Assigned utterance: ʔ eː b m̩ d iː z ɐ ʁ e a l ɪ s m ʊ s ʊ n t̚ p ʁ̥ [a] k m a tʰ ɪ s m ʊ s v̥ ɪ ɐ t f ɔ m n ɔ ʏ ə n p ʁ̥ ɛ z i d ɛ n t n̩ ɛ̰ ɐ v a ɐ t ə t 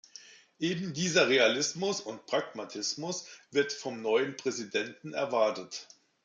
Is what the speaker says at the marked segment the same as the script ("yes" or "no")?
yes